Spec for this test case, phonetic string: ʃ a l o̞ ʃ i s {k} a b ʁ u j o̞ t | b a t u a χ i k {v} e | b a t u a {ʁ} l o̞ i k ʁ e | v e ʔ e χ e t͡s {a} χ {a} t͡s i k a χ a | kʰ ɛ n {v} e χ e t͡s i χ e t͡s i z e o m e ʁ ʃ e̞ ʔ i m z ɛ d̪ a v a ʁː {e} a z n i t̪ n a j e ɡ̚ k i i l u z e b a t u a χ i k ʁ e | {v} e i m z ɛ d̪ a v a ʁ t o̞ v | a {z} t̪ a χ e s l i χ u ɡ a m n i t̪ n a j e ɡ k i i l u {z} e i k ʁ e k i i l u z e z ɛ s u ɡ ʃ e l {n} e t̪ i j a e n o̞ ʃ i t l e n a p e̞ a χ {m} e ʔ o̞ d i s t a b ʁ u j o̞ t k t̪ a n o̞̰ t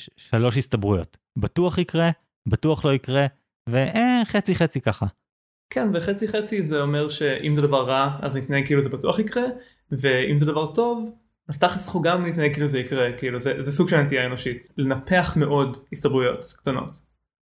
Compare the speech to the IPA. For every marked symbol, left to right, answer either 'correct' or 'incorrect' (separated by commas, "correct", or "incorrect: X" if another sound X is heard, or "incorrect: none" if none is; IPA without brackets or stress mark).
incorrect: t, incorrect: ʁ, incorrect: χ, incorrect: i, incorrect: e, correct, incorrect: a, correct, correct, correct, correct, correct